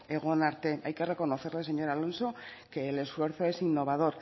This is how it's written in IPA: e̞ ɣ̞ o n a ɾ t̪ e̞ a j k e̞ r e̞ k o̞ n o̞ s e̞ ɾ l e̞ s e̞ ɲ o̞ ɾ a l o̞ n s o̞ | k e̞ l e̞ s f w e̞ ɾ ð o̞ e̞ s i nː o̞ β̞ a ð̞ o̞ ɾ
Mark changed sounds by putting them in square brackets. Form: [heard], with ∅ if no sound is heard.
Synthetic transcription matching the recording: e̞ ɣ̞ o n a ɾ t̪ e̞ a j k e̞ r e̞ k o̞ n o̞ [θ] e̞ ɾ l e̞ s e̞ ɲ o̞ ɾ a l o̞ n s o̞ | k e̞ l e̞ s f w e̞ ɾ [θ] o̞ e̞ s i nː o̞ β̞ a ð̞ o̞ ɾ

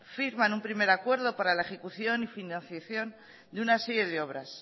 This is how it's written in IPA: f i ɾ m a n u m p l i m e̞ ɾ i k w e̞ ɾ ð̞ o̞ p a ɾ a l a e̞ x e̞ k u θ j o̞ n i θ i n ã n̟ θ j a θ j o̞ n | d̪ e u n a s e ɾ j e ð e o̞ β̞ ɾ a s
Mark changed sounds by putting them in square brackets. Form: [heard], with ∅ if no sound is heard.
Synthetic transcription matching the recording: f i ɾ m a n u m p [ɾ] i m e̞ ɾ [a] k w e̞ ɾ ð̞ o̞ p a ɾ a l a e̞ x e̞ k u θ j o̞ n i [f] i n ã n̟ θ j a θ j o̞ n | d̪ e u n a s e ɾ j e ð e o̞ β̞ ɾ a s

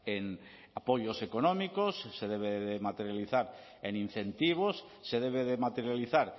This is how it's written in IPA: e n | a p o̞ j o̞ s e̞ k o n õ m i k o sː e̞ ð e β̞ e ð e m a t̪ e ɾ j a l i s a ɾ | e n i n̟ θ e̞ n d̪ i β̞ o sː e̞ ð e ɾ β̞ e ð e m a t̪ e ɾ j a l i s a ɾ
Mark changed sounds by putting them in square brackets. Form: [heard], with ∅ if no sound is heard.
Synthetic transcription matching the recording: e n | a p o̞ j o̞ s e̞ k o n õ m i k o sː e̞ ð e β̞ e ð e m a t̪ e ɾ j a l i [θ] a ɾ | e n i n̟ θ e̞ n [t̪] i β̞ o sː e̞ ð e [∅] β̞ e ð e m a t̪ e ɾ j a l i [θ] a ɾ

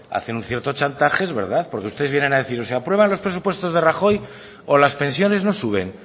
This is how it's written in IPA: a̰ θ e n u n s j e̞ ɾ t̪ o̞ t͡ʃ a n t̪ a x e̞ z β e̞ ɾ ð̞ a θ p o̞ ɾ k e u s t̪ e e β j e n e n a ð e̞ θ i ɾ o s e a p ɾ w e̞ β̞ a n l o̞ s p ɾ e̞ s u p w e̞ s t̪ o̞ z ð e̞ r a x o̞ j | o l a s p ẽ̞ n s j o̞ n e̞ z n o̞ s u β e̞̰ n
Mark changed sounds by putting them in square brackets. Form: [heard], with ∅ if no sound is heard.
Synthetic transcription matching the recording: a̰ θ e n u n [θ] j e̞ ɾ t̪ o̞ t͡ʃ a n t̪ a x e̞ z β e̞ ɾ ð̞ a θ p o̞ ɾ k e u s t̪ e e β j e n e n a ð e̞ θ i ɾ o s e a p ɾ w e̞ β̞ a n l o̞ s p ɾ e̞ s u p w e̞ s t̪ o̞ z ð e̞ r a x o̞ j | o l a s p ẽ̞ n s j o̞ n e̞ z n o̞ s u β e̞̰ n

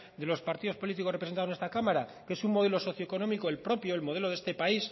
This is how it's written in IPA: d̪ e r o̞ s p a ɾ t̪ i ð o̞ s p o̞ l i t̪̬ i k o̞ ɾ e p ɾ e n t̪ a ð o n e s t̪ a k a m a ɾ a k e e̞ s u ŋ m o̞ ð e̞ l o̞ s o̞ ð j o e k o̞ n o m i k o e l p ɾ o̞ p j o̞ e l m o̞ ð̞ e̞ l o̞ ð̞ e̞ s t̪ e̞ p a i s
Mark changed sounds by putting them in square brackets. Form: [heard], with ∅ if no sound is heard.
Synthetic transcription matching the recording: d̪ e [l] o̞ s p a ɾ t̪ i ð o̞ s p o̞ l i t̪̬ i k o̞ [r] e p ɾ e n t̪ a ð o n e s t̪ a k a m a ɾ a k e e̞ s u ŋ m o̞ ð e̞ l o̞ s o̞ [θ] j o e k o̞ n o m i k o e l p ɾ o̞ p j o̞ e l m o̞ ð̞ e̞ l o̞ ð̞ e̞ s t̪ e̞ p a i s

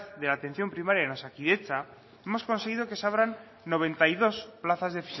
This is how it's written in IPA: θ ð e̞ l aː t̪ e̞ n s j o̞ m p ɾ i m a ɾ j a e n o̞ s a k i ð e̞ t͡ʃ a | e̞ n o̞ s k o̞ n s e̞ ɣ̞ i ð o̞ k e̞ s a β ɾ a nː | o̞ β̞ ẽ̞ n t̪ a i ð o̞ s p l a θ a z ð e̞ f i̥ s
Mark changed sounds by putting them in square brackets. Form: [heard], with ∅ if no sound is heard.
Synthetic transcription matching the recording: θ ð e̞ l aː t̪ e̞ n [θ] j o̞ m p ɾ i m a ɾ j a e n o̞ s a k i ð e̞ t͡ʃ a | e̞ [m] o̞ s k o̞ n s e̞ ɣ̞ i ð o̞ k e̞ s a β ɾ a nː | o̞ β̞ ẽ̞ n t̪ a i ð o̞ s p l a θ a z ð e̞ f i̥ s

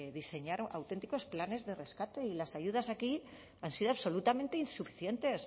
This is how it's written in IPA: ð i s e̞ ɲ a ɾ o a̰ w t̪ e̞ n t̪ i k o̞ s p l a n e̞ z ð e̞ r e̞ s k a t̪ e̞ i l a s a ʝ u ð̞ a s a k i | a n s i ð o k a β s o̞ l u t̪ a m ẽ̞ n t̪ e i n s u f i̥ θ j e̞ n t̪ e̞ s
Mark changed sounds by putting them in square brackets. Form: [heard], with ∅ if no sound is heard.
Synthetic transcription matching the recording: ð i s e̞ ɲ a ɾ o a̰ w t̪ e̞ n t̪ i k o̞ s p l a n e̞ z ð e̞ r e̞ s k a t̪ e̞ i l a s a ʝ u ð̞ a s a k i | a n s i ð o [∅] a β s o̞ l u t̪ a m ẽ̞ n t̪ e i n s u f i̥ θ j e̞ n t̪ e̞ s

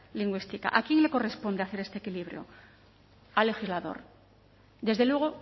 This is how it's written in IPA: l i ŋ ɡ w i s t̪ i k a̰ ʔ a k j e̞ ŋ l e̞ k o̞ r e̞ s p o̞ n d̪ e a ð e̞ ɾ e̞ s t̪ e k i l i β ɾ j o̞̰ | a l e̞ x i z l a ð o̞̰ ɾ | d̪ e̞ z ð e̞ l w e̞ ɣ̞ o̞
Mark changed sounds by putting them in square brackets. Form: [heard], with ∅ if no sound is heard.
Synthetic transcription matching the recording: l i ŋ ɡ w i s t̪ i k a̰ ʔ a k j e̞ ŋ l e̞ k o̞ r e̞ s p o̞ n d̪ e a [θ] e̞ ɾ e̞ s t̪ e k i l i β ɾ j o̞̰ | a l e̞ x i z l a ð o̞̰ ɾ | d̪ e̞ z ð e̞ l w e̞ ɣ̞ o̞

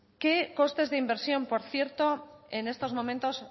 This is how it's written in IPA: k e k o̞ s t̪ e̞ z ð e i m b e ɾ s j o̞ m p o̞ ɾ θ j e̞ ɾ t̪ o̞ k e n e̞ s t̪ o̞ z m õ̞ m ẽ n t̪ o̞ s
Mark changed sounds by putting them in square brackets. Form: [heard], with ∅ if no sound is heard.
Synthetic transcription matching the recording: k e k o̞ s t̪ e̞ z ð e i m b e ɾ s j o̞ m p o̞ ɾ θ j e̞ ɾ t̪ o̞ [∅] e n e̞ s t̪ o̞ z m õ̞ m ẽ n t̪ o̞ s

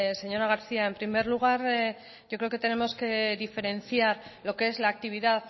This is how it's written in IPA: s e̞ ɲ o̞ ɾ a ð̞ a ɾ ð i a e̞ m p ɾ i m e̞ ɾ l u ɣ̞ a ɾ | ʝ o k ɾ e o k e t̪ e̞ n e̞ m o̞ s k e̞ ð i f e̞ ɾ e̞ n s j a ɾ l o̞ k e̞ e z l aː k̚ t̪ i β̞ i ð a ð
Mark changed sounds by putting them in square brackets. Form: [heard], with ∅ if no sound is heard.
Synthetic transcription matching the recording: s e̞ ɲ o̞ ɾ a [ɣ̞] a ɾ [θ] i a e̞ m p ɾ i m e̞ ɾ l u ɣ̞ a ɾ | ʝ o k ɾ e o k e t̪ e̞ n e̞ m o̞ s k e̞ ð i f e̞ ɾ e̞ n [θ] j a ɾ l o̞ k e̞ e z l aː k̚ t̪ i β̞ i ð a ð

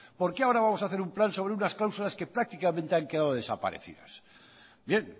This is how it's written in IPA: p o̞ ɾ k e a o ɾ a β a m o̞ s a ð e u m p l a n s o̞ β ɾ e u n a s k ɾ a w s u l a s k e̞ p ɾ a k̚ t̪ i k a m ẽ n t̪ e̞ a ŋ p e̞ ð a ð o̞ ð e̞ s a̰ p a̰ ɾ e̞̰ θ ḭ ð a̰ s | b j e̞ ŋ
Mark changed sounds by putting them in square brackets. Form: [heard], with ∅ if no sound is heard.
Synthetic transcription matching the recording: p o̞ ɾ k e a o ɾ a β a m o̞ s a [θ] e u m p l a n s o̞ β ɾ e u n a s k [l] a w s u l a s k e̞ p ɾ a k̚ t̪ i k a m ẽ n t̪ e̞ a ŋ [k] e̞ ð a ð o̞ ð e̞ s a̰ p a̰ ɾ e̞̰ θ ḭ ð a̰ s | b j e̞ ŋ

